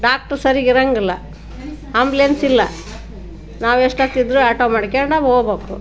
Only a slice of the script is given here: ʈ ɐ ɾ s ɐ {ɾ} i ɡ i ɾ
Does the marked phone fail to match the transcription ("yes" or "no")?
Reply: no